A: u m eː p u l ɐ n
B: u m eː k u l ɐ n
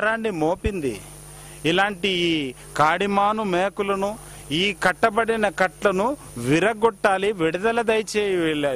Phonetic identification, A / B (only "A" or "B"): B